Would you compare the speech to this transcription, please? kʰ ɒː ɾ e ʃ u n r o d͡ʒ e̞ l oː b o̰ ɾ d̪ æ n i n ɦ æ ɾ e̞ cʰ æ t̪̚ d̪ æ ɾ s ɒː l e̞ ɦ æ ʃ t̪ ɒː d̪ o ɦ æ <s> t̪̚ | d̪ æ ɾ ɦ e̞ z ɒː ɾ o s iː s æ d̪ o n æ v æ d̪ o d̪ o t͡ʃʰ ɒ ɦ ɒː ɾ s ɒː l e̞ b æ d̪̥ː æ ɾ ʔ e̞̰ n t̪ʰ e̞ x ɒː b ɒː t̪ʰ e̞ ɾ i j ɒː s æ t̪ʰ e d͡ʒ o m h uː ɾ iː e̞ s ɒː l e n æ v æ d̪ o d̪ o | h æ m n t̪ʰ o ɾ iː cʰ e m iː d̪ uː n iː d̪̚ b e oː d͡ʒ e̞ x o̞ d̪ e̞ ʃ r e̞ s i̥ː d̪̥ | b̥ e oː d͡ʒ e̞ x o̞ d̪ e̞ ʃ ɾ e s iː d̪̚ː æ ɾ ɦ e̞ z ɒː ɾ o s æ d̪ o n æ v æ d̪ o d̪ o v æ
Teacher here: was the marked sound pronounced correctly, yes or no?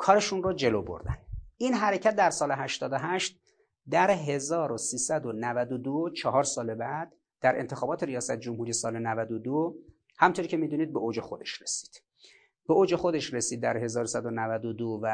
no